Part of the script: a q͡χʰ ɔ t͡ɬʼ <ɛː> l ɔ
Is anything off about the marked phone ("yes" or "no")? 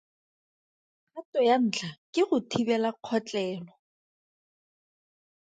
no